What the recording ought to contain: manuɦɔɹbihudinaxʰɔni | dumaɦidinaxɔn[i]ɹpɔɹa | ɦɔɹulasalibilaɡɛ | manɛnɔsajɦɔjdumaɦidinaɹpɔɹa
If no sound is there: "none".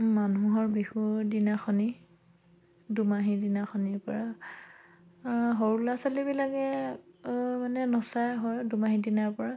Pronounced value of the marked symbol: i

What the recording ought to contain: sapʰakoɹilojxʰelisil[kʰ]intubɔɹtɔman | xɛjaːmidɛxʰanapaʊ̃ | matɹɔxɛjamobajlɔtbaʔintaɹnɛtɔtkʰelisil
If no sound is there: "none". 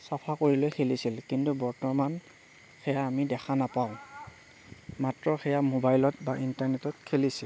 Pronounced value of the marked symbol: k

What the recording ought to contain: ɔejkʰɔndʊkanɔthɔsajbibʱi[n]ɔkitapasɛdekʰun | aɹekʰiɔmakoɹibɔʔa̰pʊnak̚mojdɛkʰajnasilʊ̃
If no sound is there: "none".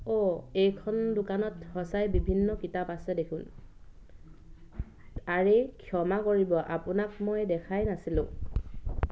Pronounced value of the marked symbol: nː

